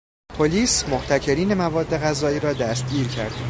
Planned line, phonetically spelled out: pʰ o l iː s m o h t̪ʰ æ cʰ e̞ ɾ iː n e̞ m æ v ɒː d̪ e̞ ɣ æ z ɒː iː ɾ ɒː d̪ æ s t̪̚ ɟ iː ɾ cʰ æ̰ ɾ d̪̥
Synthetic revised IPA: pʰ o l iː s m o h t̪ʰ æ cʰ e̞ ɾ iː n e̞ m æ v ɒː d̪ː e̞ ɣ æ z ɒː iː ɾ ɒː d̪ æ s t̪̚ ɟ iː ɾ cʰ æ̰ ɾ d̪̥